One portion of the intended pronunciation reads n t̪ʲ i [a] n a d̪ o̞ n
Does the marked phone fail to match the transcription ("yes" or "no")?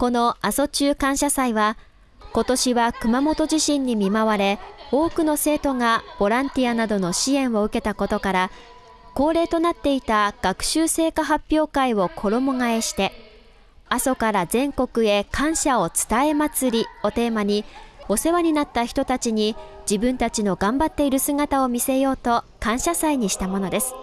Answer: no